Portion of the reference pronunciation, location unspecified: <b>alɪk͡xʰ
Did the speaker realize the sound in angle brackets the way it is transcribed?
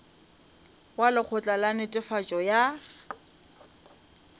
no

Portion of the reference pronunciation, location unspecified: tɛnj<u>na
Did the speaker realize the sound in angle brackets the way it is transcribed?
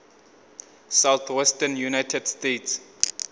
yes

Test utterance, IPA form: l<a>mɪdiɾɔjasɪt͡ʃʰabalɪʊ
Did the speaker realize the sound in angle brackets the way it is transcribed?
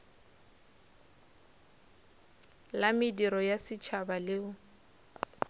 yes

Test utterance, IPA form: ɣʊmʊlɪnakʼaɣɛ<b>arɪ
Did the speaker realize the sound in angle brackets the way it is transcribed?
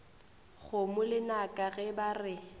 yes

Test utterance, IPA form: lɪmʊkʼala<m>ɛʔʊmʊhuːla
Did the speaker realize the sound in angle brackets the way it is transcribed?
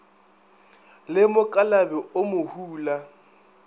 no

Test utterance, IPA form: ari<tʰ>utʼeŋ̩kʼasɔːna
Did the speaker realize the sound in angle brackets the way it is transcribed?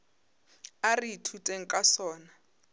yes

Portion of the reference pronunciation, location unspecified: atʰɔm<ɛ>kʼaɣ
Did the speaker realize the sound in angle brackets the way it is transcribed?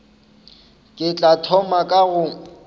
no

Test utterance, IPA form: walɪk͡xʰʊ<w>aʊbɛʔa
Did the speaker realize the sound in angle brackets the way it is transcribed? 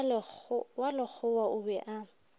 yes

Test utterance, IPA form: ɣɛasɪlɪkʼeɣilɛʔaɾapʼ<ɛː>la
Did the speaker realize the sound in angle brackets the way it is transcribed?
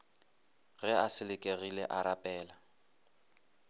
yes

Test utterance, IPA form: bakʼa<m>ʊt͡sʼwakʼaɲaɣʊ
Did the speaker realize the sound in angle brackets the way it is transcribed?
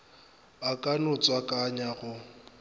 no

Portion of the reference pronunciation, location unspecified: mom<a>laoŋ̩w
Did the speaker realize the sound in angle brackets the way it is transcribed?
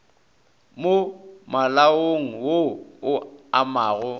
yes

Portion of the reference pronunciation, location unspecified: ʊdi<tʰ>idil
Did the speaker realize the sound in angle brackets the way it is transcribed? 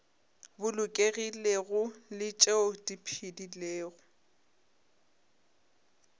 no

